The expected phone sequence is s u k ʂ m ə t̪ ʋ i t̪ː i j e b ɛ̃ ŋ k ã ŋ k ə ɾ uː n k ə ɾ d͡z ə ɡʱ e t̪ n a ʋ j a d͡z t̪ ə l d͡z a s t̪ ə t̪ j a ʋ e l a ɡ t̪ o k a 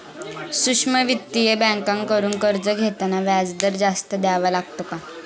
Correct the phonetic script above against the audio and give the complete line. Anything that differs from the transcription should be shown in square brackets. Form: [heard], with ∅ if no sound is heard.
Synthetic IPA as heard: s u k ʂ m ə [∅] ʋ i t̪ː i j e b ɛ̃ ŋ k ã ŋ k ə ɾ uː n k ə ɾ d͡z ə ɡʱ e t̪ n a ʋ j a d͡z [d̪] ə [ɾ] d͡z a s t̪ ə [d̪] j a ʋ [a] l a ɡ t̪ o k a